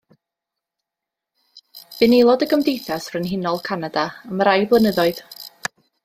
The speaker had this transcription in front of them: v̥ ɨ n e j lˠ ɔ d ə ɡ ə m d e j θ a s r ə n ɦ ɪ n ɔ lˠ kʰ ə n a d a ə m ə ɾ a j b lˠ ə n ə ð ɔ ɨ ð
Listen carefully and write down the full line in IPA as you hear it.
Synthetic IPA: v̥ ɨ n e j lˠ ɔ d ə ɡ ə m d e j θ a s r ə n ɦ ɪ n ɔ lˠ kʰ a n a d a ə m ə ɾ a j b lˠ ə n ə ð ɔ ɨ ð